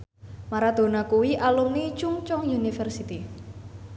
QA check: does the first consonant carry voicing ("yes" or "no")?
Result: yes